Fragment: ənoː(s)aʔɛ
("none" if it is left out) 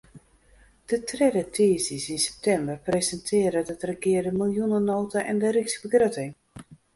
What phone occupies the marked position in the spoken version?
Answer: t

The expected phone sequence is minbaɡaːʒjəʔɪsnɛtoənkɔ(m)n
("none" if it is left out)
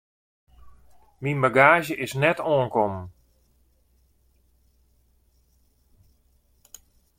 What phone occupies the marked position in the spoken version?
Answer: m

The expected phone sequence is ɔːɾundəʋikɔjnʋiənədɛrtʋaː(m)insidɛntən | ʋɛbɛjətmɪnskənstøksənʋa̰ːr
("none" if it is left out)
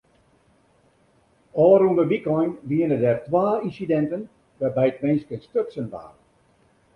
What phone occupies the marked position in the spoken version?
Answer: none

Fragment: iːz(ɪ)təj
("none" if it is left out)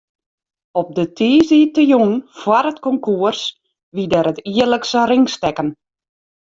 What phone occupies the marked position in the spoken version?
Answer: i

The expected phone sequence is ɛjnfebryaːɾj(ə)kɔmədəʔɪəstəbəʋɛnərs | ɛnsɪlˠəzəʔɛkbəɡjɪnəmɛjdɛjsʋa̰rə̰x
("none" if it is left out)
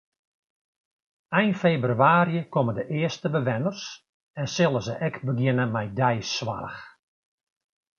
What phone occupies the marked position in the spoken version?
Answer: ə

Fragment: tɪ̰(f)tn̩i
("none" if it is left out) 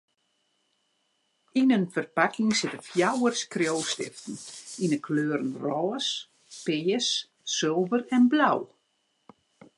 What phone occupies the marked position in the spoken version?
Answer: f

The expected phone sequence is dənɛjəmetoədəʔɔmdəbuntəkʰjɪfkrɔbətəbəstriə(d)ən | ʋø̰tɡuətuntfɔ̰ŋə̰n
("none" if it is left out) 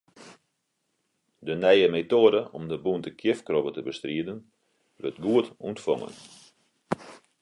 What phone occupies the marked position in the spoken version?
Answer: d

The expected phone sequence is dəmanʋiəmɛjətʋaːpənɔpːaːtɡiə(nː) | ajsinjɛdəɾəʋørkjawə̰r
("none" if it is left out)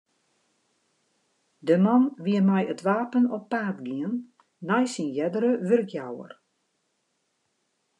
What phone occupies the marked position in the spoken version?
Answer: nː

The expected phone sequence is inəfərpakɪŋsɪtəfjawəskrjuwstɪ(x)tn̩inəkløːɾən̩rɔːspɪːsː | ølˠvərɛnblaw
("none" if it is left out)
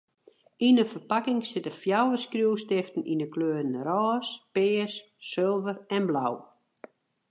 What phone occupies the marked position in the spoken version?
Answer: f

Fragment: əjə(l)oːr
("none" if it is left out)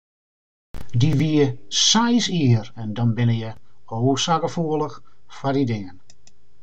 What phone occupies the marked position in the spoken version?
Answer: none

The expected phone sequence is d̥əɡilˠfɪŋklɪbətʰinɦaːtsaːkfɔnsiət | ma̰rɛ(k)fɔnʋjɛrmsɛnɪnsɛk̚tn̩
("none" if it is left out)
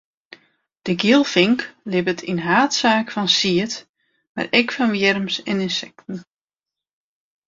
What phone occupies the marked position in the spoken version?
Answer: k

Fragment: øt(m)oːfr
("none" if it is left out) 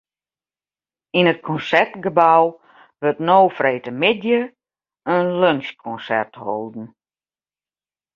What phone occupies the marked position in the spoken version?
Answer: n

